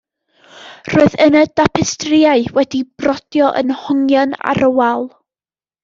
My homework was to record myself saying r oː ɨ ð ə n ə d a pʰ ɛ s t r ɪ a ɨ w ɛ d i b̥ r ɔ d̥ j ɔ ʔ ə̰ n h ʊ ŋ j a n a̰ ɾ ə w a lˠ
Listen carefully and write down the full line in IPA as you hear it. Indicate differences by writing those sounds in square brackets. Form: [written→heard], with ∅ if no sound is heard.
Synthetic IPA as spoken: r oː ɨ ð ə n ə d a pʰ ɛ s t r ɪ a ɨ w ɛ d i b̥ r ɔ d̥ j ɔ ʔ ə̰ n h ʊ ŋ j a n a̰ ɾ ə w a lˠ